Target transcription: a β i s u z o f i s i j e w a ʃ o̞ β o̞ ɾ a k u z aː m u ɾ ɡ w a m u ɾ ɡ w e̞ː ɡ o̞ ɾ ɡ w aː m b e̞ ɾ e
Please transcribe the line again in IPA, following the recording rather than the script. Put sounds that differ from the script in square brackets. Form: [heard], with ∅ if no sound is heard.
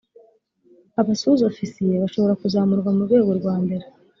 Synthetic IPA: a β [a] s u z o f i s i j e [β] a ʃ o̞ β o̞ ɾ a k u z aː m u ɾ ɡ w a m u ɾ ɡ w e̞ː ɡ o̞ ɾ ɡ w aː m b e̞ ɾ e